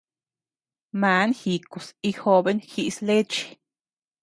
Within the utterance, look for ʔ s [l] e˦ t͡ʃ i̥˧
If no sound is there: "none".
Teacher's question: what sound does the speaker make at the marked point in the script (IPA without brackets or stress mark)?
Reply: l